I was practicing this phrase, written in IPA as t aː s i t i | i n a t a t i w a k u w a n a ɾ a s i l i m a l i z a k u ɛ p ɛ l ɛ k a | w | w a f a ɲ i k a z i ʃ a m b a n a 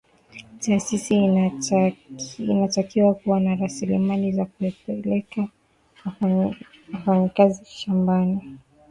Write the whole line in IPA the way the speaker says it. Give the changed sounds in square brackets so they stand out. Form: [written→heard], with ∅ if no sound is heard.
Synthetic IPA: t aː s i [t→s] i | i n a t a [t→k] i w a k u w a n a ɾ a s i l i m a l i z a k u ɛ p ɛ l ɛ k a | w | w a f a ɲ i k a z i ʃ a m b a n [a→i]